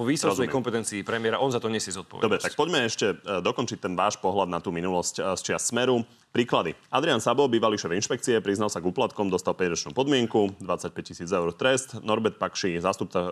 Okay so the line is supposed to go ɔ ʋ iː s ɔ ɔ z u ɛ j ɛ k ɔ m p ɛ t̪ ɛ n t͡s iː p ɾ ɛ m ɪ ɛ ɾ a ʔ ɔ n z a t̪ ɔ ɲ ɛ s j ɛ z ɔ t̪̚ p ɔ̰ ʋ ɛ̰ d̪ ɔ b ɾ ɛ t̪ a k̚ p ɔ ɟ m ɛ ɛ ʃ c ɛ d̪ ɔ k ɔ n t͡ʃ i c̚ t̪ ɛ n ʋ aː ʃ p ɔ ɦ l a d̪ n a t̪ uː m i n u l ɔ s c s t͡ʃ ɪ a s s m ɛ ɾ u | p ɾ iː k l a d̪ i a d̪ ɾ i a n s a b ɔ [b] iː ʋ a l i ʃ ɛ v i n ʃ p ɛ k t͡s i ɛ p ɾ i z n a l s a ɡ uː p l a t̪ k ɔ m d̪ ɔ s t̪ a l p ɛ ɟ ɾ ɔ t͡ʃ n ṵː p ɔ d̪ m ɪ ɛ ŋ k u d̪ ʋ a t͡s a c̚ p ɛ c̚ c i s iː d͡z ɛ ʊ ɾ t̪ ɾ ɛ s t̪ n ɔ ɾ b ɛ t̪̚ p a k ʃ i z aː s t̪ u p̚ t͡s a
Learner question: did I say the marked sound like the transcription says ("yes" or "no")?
yes